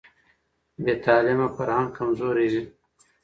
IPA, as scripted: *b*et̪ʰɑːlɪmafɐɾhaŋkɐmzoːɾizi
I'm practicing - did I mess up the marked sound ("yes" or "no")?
no